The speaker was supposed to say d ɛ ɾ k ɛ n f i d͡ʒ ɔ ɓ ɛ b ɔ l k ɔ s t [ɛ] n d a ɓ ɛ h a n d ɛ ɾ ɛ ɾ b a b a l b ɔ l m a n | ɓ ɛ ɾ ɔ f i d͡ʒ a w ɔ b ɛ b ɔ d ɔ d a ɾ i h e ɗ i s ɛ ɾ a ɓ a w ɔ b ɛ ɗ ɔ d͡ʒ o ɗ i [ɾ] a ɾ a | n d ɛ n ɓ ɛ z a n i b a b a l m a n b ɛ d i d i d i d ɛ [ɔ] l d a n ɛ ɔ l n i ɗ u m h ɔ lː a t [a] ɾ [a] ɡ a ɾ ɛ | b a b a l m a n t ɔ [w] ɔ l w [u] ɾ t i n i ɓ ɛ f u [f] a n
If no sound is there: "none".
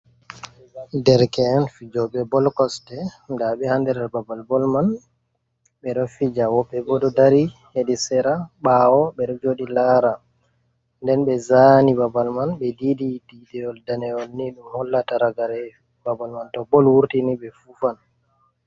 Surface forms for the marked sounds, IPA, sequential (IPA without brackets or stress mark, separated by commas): ɛ, l, ɔ, a, a, b, u, f